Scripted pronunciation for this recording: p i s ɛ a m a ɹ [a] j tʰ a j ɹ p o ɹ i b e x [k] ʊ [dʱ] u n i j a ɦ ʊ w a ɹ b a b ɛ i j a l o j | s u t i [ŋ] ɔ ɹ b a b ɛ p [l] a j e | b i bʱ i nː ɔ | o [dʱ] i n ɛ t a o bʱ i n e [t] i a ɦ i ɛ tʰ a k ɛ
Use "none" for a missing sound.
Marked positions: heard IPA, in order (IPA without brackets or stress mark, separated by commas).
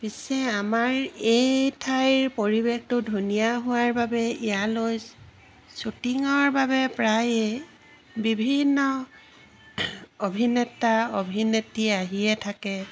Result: e, t, dʱ, ŋ, ɹ, bʱ, t